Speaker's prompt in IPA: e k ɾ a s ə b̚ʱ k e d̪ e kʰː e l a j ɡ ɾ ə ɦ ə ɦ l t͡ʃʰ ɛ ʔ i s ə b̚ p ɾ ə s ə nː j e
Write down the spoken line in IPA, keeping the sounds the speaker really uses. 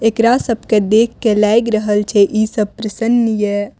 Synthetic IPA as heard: e k ɾ a s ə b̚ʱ k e d̪ e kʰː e l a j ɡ ɾ ə ɦ ə l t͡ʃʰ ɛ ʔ i s ə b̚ p ɾ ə s ə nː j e